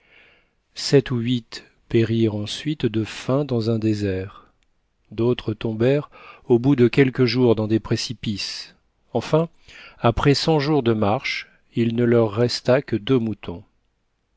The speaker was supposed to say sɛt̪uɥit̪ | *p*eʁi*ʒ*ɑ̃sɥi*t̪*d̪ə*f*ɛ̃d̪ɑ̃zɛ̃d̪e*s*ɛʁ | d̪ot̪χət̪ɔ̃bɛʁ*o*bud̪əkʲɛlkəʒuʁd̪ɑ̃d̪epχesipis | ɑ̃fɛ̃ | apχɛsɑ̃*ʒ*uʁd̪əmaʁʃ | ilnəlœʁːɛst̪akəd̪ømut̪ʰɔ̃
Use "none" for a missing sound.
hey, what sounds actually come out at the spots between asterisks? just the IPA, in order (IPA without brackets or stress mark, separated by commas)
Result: p, ʁ, t̪, f, z, o, ʒ